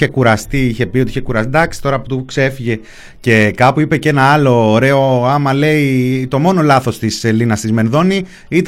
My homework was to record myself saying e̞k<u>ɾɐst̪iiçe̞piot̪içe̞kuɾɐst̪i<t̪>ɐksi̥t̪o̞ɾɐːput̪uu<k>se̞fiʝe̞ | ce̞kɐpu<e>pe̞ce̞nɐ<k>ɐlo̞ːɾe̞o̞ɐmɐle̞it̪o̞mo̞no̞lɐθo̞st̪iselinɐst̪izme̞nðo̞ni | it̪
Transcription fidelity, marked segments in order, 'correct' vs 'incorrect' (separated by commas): correct, incorrect, correct, incorrect, incorrect